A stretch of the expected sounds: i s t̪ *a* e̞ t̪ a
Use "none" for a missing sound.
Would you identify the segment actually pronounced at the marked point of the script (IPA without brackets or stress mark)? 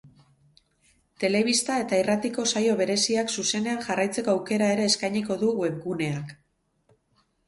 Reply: a